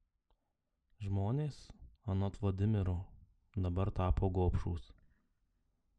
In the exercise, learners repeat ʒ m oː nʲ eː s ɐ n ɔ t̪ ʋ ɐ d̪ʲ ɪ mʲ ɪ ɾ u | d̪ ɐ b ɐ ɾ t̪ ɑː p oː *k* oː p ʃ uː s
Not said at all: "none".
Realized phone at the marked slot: ɡ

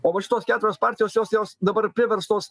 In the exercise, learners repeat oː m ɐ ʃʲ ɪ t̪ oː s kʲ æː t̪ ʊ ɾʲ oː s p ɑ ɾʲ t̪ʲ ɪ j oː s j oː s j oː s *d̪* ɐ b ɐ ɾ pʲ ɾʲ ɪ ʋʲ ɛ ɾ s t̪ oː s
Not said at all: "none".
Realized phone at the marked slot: d̪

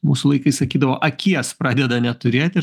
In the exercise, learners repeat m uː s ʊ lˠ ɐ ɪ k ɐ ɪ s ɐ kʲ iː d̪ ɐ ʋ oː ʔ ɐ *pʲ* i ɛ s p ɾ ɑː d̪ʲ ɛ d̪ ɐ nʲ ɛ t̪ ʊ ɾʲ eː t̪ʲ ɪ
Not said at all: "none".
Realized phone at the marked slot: kʲ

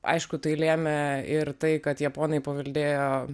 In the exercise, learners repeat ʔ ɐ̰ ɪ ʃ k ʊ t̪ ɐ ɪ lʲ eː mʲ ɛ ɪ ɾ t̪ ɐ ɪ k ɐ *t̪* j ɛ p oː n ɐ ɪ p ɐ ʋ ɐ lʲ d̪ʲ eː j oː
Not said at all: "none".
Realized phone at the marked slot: t̪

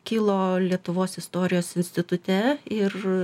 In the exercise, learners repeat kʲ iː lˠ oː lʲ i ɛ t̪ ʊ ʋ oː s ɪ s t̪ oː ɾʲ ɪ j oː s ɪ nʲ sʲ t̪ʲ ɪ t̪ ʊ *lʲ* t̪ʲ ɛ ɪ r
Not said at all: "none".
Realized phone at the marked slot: none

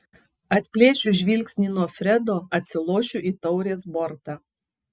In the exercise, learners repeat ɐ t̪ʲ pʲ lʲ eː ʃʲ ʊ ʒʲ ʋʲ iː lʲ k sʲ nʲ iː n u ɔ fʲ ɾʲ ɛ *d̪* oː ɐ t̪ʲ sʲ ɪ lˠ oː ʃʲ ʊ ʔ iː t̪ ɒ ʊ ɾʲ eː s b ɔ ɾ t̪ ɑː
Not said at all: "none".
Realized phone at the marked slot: d̪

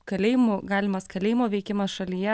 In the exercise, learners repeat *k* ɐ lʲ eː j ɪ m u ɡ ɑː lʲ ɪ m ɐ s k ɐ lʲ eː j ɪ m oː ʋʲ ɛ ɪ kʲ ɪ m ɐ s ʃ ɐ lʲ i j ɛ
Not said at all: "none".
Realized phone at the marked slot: k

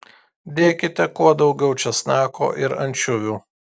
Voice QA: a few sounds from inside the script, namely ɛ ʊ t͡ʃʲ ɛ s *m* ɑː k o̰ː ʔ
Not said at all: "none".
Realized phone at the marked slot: n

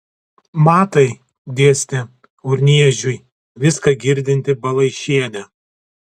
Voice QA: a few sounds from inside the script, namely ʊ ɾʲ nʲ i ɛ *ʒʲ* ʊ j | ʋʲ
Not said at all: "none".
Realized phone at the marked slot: ʒʲ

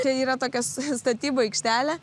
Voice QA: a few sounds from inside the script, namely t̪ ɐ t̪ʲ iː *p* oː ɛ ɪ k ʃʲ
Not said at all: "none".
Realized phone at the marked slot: b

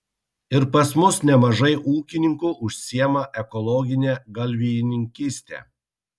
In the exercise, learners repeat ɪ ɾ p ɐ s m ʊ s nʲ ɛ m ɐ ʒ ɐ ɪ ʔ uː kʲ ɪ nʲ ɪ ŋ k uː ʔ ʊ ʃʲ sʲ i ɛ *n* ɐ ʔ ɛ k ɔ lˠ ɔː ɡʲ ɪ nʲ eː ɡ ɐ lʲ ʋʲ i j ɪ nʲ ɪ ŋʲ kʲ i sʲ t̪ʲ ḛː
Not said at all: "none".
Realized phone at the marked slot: m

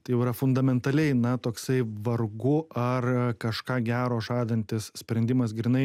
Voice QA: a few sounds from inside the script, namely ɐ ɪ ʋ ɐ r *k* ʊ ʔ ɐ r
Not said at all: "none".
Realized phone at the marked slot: ɡ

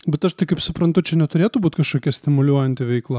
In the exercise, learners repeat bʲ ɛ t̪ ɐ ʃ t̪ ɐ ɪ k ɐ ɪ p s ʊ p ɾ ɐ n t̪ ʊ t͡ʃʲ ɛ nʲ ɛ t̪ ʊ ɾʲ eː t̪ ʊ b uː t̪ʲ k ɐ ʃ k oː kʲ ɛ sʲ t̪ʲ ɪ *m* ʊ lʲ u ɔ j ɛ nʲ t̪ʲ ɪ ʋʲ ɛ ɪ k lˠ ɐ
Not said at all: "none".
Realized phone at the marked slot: m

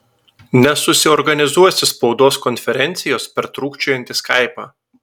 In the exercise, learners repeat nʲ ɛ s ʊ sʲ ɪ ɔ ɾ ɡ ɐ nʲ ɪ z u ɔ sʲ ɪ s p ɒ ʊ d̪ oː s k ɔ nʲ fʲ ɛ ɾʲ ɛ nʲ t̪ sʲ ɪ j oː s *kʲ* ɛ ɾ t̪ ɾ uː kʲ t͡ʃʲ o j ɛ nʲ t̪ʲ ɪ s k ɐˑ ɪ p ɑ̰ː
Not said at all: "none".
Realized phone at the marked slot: pʲ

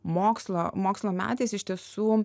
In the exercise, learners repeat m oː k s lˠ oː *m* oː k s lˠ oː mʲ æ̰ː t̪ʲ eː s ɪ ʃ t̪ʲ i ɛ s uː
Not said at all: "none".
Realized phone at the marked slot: m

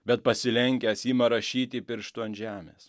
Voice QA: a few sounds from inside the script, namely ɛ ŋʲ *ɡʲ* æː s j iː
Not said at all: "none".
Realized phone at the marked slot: kʲ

